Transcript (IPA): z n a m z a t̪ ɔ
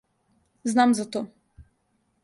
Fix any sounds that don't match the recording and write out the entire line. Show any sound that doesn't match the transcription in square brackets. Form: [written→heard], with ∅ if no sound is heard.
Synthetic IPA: z n a m z a t̪ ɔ